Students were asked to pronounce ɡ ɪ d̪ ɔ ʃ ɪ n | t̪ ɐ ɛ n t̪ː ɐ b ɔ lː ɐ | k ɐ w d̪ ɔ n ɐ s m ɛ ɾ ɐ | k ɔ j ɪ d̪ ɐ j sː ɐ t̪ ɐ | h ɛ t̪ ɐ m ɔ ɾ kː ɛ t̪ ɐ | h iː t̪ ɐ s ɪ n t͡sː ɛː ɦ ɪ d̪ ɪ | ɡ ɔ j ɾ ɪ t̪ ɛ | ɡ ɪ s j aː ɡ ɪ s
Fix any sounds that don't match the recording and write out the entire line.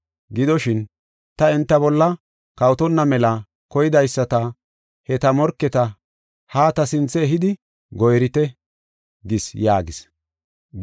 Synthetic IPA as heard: ɡ ɪ d̪ ɔ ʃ ɪ n | t̪ ɐ ɛ n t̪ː ɐ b ɔ lː ɐ | k ɐ w t̪ ɔ nː ɐ m ɛ l ɐ | k ɔ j ɪ d̪ ɐ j sː ɐ t̪ ɐ | h ɛ t̪ ɐ m ɔ ɾ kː ɛ t̪ ɐ | h aː t̪ ɐ s ɪ n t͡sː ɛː ɦ ɪ d̪ ɪ | ɡ ɔ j ɾ ɪ t̪ ɛ | ɡ ɪ s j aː ɡ ɪ s